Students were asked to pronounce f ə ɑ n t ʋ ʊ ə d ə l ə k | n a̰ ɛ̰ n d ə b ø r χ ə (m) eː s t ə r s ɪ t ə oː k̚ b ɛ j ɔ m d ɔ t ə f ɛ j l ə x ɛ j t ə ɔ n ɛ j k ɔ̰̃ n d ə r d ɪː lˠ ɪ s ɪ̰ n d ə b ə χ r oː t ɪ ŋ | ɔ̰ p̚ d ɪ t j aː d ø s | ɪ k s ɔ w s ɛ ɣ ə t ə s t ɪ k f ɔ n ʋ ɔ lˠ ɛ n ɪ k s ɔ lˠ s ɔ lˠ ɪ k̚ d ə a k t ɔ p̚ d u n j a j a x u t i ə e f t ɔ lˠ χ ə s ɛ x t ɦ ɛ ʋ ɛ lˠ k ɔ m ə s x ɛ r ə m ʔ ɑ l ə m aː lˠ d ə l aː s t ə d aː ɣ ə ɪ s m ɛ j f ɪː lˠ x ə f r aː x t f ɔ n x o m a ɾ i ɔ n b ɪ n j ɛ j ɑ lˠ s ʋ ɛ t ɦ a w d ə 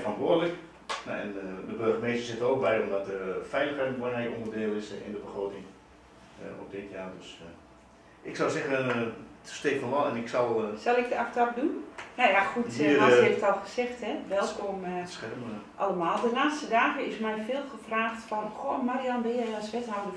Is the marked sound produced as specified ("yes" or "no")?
yes